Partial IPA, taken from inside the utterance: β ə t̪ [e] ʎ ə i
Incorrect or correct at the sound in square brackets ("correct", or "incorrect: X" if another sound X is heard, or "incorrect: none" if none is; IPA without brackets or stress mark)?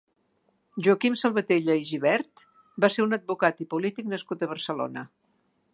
correct